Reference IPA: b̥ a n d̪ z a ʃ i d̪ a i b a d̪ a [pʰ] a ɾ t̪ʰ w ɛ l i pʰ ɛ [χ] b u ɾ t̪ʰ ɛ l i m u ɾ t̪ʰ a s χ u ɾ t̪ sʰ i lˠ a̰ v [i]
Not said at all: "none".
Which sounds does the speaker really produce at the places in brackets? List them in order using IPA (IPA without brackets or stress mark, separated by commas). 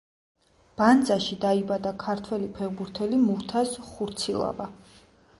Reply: kʰ, ʁ, a